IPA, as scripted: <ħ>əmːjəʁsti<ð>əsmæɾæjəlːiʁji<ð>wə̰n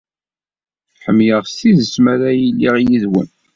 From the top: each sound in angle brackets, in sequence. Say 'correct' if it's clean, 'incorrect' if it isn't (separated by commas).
correct, correct, correct